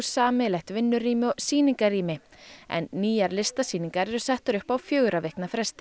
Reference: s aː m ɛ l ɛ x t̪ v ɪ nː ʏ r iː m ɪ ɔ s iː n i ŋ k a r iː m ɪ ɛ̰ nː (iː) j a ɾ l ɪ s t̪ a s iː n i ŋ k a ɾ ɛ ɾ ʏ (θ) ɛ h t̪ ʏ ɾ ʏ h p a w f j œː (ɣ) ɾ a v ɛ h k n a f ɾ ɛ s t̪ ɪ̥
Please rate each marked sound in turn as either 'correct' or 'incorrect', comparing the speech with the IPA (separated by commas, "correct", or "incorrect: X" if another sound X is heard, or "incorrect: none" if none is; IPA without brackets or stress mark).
correct, incorrect: s, correct